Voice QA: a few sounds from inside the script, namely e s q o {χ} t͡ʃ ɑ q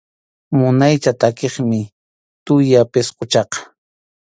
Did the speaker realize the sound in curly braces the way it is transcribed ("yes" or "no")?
no